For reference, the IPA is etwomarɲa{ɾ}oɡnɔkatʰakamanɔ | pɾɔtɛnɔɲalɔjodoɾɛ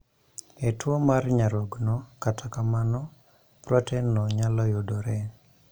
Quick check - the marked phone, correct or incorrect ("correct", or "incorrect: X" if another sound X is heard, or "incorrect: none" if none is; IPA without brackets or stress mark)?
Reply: correct